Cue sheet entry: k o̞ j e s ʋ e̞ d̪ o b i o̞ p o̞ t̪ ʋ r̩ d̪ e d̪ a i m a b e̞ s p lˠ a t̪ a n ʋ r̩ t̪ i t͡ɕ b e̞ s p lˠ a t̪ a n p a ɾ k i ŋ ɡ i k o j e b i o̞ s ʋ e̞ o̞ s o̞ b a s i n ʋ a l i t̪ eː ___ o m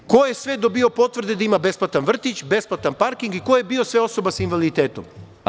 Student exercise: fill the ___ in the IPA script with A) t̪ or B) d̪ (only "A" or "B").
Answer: A